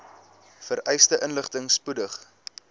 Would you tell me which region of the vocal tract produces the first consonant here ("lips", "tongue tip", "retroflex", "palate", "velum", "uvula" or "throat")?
lips